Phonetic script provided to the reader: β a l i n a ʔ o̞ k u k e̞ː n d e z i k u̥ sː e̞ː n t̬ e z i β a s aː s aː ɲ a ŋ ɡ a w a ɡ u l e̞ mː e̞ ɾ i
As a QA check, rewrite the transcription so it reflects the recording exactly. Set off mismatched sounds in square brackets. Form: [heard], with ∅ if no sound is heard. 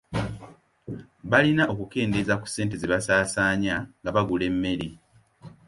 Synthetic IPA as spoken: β a l i n a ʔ o̞ k u k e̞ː n d e z [a] k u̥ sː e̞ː n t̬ e z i β a s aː s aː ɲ a ŋ ɡ a [β] a ɡ u l e̞ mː e̞ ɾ i